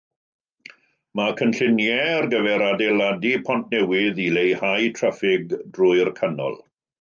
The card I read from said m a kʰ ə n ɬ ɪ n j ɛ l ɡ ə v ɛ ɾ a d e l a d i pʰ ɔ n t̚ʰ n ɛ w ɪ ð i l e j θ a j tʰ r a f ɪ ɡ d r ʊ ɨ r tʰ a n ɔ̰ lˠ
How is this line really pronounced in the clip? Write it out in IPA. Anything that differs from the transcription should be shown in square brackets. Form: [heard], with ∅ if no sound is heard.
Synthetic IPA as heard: m a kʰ ə n ɬ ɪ n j ɛ [r] ɡ ə v ɛ ɾ a d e l a d i pʰ ɔ n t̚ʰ n ɛ w ɪ ð i l e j [h] a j tʰ r a f ɪ ɡ d r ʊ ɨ r [kʰ] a n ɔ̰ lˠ